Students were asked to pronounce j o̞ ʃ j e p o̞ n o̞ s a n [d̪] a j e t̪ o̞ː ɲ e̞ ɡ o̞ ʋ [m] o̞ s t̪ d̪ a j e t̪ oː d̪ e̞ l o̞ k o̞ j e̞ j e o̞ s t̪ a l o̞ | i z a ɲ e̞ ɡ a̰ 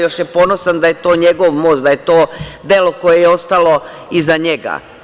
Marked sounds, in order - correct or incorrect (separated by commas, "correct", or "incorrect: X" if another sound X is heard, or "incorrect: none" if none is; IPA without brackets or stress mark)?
correct, correct